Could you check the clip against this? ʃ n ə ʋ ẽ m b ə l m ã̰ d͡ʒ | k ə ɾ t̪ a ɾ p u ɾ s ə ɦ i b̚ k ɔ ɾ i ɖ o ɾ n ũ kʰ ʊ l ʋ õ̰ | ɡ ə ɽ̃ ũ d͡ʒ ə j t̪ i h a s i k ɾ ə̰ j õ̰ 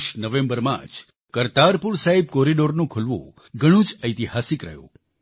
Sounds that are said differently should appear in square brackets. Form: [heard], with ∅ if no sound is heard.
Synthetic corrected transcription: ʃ n ə ʋ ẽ m b ə [ɾ] m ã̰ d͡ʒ | k ə ɾ t̪ a ɾ p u ɾ s [a] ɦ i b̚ k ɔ ɾ i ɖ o ɾ n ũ kʰ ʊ l ʋ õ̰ | ɡ ə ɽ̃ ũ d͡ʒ ə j t̪ i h a s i k ɾ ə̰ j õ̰